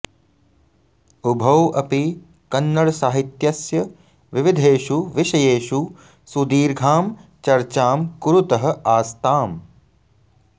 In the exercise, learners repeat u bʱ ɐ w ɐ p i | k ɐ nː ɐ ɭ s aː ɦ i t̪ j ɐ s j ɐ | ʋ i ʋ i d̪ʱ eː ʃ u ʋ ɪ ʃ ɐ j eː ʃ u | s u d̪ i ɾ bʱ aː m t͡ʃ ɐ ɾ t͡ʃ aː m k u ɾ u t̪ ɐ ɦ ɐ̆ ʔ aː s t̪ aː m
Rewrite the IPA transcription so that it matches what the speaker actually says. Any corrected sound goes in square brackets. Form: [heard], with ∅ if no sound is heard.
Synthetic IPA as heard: u bʱ ɐ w ɐ p i | k ɐ nː ɐ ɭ s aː ɦ i t̪ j ɐ s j ɐ | ʋ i ʋ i d̪ʱ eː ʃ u ʋ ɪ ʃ ɐ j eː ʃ u | s u d̪ [iː] ɾ [ɡʱ] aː m t͡ʃ ɐ ɾ t͡ʃ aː m k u ɾ u t̪ ɐ ɦ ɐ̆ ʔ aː s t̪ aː m